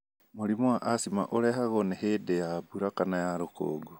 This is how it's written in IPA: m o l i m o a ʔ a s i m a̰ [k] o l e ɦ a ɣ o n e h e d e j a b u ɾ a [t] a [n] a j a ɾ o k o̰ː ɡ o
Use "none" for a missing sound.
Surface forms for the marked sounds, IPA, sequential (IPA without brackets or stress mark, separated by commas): ʔ, k, n